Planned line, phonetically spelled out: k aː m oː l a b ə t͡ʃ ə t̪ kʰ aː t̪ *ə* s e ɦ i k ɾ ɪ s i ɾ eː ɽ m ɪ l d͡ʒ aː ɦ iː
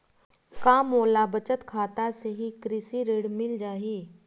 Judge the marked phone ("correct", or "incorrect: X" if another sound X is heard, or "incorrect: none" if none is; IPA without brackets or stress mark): incorrect: a